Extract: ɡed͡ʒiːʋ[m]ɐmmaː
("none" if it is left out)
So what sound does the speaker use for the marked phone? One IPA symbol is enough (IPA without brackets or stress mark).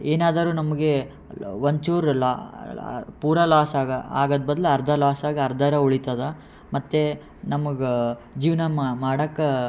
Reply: n